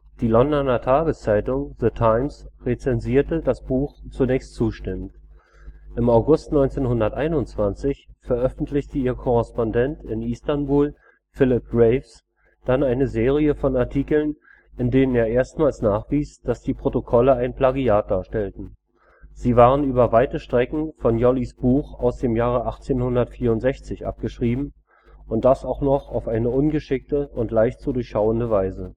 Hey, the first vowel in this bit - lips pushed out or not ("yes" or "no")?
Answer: no